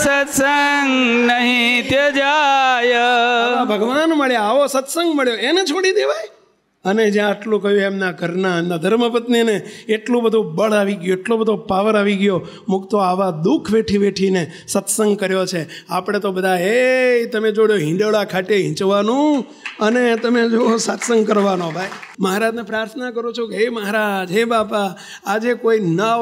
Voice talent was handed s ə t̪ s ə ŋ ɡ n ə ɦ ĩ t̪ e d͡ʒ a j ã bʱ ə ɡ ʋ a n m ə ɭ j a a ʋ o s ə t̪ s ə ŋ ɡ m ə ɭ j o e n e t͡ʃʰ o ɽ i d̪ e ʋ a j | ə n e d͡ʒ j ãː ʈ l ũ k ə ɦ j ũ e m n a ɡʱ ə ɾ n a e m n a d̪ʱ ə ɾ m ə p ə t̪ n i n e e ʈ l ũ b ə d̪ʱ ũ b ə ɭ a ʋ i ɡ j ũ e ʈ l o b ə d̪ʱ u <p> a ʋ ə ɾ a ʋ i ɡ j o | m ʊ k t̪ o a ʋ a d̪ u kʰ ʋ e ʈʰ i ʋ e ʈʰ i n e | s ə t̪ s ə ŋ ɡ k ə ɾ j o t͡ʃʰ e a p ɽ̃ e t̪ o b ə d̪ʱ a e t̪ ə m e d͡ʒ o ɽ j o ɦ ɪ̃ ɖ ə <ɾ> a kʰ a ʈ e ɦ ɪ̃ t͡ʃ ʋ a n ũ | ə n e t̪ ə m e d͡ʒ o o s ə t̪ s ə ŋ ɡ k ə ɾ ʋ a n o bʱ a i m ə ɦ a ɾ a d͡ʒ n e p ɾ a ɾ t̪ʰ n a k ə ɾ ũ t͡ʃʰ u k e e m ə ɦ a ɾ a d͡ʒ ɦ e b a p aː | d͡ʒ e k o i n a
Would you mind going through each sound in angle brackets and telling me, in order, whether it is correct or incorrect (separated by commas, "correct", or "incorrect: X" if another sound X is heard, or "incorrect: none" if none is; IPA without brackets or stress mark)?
correct, incorrect: ɭ